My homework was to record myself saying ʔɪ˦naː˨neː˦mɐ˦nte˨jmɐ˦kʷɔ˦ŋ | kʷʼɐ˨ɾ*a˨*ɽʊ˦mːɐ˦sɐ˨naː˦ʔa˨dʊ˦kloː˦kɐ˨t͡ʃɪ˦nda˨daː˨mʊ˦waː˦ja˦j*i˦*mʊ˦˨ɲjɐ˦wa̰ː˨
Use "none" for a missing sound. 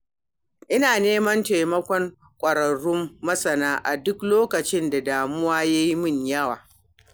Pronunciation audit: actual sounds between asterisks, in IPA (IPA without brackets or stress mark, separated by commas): ɐ˨, i˦